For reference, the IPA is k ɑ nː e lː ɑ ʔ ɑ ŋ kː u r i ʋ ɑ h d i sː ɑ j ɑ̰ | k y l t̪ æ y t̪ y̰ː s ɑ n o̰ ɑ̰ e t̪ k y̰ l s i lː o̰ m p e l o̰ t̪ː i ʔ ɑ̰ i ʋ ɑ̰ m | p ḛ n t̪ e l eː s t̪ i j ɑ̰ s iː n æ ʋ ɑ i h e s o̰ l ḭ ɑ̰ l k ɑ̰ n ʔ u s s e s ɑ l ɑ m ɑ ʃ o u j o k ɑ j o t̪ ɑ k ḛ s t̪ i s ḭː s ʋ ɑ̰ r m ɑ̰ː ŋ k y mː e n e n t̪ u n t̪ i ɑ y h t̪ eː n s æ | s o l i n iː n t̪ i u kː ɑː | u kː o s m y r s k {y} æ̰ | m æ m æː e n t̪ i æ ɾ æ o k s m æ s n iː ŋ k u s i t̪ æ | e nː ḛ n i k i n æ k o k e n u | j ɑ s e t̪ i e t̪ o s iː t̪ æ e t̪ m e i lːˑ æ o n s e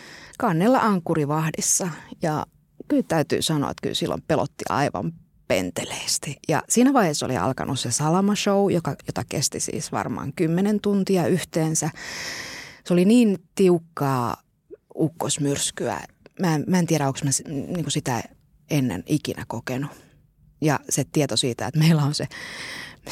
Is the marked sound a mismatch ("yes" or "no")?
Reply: no